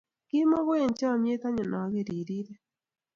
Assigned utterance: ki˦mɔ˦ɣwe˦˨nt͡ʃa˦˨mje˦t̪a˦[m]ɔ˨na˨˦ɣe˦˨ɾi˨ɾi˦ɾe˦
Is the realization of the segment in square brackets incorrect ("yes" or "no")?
yes